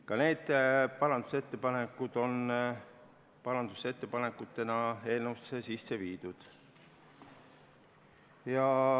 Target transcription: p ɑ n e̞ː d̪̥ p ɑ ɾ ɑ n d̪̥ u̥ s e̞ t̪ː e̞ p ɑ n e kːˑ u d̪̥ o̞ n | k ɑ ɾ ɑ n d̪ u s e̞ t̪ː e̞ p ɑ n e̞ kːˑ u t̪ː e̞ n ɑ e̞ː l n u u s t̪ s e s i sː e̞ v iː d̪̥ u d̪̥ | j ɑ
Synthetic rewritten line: k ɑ n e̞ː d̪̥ p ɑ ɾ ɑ n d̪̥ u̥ s e̞ t̪ː e̞ p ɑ n e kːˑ u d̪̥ o̞ n | p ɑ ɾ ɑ n d̪ u s e̞ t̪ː e̞ p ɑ n e̞ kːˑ u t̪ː e̞ n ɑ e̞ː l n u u s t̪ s e s i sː e̞ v iː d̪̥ u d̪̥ | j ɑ